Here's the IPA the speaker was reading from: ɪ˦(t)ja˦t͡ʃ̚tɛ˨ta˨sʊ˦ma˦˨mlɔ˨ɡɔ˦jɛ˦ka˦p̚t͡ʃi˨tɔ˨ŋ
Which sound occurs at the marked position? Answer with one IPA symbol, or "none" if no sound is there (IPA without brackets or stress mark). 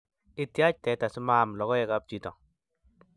t